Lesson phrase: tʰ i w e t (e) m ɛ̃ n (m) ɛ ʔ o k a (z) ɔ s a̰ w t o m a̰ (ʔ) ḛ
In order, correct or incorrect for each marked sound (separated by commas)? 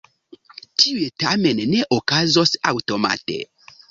incorrect, incorrect, correct, incorrect